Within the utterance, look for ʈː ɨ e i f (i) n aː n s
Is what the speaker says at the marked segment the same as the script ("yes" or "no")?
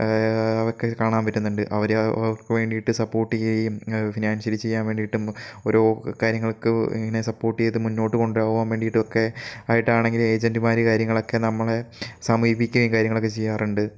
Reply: yes